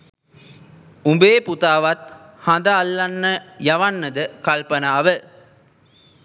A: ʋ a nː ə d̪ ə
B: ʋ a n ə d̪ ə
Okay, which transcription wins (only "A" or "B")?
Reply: A